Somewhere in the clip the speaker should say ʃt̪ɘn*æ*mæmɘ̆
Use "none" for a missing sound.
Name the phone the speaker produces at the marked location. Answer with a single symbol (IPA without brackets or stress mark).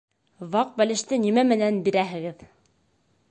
i